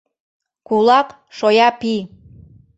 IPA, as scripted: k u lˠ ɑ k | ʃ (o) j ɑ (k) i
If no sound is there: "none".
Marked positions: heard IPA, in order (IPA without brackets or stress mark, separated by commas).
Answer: o, p